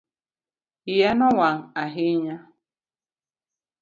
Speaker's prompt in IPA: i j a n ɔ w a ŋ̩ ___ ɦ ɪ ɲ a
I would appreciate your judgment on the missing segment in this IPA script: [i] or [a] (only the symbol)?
a